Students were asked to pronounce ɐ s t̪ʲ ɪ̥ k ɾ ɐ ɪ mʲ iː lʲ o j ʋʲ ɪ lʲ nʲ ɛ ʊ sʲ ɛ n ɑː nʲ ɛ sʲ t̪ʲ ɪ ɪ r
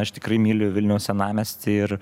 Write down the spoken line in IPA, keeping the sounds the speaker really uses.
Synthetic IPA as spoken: ɐ ʃ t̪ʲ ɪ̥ k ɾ ɐ ɪ mʲ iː lʲ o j ʋʲ ɪ lʲ nʲ ɛ ʊ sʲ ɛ n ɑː mʲ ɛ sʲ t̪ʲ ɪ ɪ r